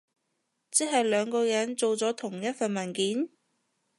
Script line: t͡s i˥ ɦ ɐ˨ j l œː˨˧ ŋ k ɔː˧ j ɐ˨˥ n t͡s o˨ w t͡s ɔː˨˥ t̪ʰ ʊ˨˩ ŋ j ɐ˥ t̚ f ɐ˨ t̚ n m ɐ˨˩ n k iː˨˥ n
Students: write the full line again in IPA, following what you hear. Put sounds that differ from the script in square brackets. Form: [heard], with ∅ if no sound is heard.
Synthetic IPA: t͡s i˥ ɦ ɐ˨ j l œː˨˧ ŋ k ɔː˧ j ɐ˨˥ n t͡s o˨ w t͡s ɔː˨˥ t̪ʰ ʊ˨˩ ŋ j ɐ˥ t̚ f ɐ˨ [∅] n m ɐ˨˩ n k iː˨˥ n